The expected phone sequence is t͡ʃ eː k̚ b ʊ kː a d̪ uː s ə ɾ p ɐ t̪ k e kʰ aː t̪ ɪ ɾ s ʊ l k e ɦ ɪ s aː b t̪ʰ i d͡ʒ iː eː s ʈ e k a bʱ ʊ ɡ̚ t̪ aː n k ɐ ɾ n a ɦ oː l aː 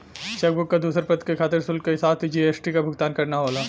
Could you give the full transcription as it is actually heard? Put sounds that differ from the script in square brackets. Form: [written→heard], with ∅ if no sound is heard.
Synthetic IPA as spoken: t͡ʃ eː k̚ b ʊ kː a d̪ uː s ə ɾ p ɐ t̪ k e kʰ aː t̪ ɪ ɾ s ʊ l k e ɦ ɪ s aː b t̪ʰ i d͡ʒ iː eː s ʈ [e→i] k a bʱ ʊ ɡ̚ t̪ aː n k ɐ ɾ n a ɦ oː l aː